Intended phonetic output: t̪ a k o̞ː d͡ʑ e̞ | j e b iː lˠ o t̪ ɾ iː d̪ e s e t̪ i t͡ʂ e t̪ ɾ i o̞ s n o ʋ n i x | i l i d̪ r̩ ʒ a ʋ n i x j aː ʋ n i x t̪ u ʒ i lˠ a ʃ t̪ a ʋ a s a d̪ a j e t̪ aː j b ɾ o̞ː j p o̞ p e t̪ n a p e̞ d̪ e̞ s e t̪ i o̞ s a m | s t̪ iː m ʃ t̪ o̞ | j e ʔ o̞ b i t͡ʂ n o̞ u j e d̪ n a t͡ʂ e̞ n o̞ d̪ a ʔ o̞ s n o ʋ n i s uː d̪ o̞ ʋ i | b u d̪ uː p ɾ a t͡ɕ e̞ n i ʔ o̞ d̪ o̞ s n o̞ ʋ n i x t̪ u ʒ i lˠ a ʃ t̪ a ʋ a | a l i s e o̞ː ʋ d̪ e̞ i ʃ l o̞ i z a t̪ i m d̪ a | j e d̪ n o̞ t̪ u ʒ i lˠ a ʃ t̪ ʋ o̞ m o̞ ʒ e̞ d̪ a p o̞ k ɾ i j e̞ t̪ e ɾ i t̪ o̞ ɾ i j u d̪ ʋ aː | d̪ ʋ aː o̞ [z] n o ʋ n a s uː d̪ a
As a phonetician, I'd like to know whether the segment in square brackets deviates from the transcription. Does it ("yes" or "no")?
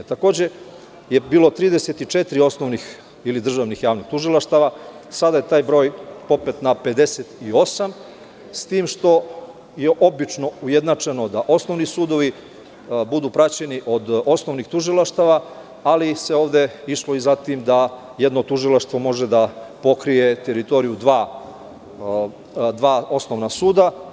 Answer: yes